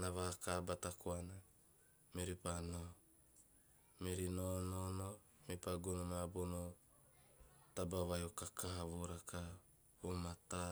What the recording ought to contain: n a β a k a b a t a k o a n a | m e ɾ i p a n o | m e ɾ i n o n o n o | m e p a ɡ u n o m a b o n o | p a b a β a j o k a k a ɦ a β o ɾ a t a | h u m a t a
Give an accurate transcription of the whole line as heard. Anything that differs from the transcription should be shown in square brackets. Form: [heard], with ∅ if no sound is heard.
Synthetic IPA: n a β a k a b a t a k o a n a | m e ɾ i p a n o | m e ɾ i n o n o n o | m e p a ɡ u n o m a b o n o | [t] a b a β a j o k a k a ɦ a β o ɾ a [k] a | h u m a t a